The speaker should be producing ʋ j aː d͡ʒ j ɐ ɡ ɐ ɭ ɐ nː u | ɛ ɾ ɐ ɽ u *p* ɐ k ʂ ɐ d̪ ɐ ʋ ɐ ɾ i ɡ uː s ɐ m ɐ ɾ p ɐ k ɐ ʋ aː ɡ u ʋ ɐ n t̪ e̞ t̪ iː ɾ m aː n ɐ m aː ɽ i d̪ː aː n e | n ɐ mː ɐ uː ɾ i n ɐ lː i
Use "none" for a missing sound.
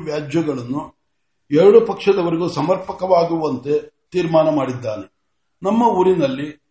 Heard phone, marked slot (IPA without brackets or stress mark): p